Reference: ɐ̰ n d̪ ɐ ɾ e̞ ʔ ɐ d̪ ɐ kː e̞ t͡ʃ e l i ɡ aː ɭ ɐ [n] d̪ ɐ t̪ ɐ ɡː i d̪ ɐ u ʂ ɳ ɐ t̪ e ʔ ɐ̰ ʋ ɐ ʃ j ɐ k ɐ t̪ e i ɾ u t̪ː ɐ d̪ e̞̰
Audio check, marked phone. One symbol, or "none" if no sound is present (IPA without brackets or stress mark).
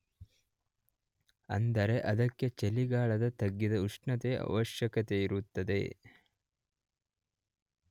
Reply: none